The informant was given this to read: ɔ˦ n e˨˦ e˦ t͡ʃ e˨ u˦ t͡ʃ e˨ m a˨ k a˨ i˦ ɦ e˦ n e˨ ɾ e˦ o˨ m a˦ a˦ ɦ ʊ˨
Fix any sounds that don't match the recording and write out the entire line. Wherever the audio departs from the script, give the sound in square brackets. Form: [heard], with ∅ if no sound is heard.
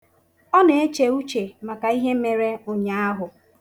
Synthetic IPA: ɔ˦ n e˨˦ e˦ t͡ʃ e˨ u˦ t͡ʃ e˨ m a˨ k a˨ i˦ ɦ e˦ [m] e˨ ɾ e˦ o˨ [ɲ] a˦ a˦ ɦ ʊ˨